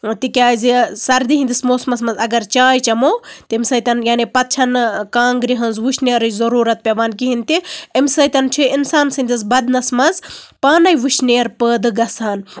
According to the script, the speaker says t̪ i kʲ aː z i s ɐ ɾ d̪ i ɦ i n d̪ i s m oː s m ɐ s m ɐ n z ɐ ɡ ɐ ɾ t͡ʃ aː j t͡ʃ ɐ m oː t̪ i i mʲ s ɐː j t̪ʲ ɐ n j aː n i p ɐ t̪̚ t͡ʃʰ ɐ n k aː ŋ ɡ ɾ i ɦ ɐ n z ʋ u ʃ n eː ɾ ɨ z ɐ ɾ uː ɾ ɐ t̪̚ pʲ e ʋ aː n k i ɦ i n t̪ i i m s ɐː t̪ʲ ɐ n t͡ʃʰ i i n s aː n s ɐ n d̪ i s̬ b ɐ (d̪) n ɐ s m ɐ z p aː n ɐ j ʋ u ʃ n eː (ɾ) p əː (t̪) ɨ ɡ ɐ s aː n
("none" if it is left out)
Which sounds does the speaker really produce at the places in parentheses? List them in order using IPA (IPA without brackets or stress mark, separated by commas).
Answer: d̪, ɾ, d̪